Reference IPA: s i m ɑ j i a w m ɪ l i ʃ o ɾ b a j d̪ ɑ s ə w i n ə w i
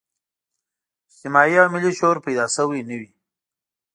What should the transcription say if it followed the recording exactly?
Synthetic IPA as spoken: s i m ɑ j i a w m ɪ l i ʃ o ɾ p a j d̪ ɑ s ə w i n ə w i